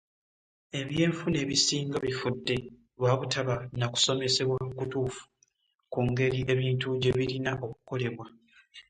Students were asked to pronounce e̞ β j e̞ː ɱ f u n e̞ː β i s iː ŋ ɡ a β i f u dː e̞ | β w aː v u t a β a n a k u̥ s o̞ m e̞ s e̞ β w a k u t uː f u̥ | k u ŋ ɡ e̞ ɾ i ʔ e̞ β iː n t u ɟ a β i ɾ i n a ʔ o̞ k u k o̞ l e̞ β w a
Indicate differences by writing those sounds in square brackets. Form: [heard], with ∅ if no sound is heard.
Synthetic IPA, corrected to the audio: e̞ β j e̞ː ɱ f u n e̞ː β i s iː ŋ ɡ a β i f u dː e̞ | β w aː [β] u t a β a n a k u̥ s o̞ m e̞ s e̞ β w a k u t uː f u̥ | k u ŋ ɡ e̞ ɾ i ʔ e̞ β iː n t u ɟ [e] β i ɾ i n a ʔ o̞ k u k o̞ l e̞ β w a

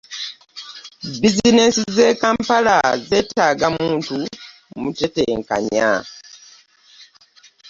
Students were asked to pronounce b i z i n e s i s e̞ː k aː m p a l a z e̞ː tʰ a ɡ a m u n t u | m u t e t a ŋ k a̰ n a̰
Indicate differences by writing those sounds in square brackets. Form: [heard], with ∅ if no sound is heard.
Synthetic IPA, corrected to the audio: b i z i n e s i [z] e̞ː k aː m p a l a z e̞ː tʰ a ɡ a m [uː] n t u | m u t e t [e] ŋ k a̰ [ɲ] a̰

